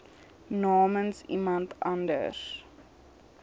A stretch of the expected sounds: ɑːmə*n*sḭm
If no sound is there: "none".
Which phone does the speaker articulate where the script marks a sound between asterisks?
n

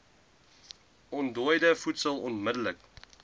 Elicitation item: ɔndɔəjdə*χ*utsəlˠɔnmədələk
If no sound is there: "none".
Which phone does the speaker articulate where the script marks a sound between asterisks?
f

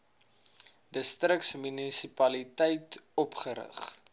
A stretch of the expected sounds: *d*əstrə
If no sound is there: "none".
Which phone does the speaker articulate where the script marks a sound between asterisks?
d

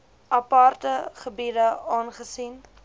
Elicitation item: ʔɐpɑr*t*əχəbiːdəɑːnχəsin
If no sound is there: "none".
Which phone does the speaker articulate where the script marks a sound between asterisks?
t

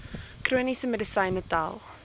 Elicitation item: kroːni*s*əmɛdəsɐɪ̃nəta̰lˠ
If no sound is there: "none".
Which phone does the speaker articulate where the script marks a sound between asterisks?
s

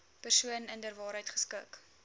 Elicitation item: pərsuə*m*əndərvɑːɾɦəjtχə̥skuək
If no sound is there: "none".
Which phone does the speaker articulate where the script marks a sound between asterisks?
n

